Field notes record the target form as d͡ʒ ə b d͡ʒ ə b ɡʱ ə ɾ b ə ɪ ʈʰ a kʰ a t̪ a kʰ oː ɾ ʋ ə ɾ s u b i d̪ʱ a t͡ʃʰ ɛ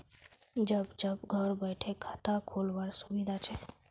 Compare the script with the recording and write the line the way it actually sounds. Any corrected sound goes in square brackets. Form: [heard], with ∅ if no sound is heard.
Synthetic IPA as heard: d͡ʒ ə b d͡ʒ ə b ɡʱ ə ɾ b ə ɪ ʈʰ [e] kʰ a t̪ a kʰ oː [l] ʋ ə ɾ s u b i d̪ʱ a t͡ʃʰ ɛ